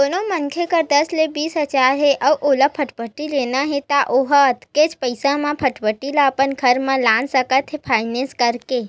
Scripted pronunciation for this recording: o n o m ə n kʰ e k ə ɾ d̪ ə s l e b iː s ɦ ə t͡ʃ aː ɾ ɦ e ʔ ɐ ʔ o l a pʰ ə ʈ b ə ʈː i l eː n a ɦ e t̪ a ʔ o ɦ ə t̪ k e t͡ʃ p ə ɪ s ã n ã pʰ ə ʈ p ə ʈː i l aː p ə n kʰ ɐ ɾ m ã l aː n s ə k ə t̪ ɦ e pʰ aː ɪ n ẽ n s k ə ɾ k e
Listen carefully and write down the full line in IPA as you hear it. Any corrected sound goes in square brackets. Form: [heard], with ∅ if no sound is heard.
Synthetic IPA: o n o m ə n kʰ e k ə ɾ d̪ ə s l e b iː s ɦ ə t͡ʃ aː ɾ ɦ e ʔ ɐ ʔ o l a pʰ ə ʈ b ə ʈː i l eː n a ɦ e t̪ a ʔ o ɦ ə t̪ k e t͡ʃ p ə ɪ s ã [m] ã pʰ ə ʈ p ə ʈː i l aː p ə n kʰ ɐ ɾ m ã l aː n s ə k ə t̪ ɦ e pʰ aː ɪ n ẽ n s k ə ɾ k e